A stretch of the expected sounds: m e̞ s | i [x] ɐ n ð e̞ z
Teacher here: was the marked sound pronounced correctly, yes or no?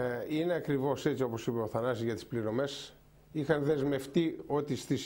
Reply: yes